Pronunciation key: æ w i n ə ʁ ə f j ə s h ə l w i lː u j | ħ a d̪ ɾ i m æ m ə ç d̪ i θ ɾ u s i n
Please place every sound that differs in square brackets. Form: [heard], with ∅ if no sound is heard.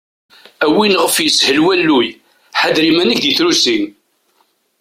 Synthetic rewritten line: æ w i n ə ʁ ə f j ə s h ə l w [æ] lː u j | ħ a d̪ ɾ i m æ [n] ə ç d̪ i θ ɾ u s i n